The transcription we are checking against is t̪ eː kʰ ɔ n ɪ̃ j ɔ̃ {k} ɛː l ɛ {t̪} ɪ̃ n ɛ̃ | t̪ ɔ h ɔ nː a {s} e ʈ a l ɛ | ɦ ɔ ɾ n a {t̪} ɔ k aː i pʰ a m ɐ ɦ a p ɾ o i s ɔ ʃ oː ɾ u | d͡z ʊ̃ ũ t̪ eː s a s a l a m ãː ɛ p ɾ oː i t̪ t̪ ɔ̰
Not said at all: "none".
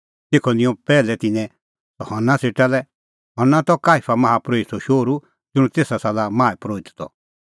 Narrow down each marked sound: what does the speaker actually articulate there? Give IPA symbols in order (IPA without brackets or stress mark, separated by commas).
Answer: p, t̪, s, t̪